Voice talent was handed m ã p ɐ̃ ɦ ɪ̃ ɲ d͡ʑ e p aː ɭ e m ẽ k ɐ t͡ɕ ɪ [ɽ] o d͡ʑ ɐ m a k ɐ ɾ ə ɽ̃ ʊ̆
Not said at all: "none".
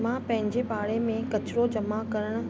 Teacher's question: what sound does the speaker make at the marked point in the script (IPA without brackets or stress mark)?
ɾ